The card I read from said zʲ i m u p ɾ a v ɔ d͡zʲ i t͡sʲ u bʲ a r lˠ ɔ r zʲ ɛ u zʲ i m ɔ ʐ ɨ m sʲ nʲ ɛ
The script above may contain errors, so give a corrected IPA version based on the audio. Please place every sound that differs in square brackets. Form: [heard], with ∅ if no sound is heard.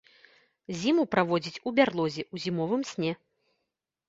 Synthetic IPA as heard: zʲ i m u p ɾ a v ɔ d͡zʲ i t͡sʲ u bʲ a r lˠ ɔ [∅] zʲ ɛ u zʲ i m ɔ [v] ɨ m sʲ nʲ ɛ